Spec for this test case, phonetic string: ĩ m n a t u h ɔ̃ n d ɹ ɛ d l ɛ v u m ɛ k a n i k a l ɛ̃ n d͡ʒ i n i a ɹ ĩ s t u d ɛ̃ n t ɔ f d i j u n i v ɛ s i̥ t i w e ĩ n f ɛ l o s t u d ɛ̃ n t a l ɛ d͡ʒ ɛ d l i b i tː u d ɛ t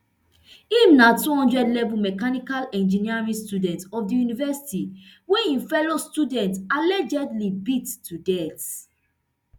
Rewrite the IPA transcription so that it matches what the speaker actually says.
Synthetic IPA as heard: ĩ m n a t u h ɔ̃ n d ɹ ɛ d l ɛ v u m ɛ k a n i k a l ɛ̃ n d͡ʒ i n i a ɹ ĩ s t u d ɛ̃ n t ɔ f d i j u n i v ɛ s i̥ t i w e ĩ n f ɛ l o s t u d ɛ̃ n t a l ɛ d͡ʒ ɛ d l i b i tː u d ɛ t